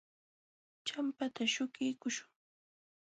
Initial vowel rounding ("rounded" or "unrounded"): unrounded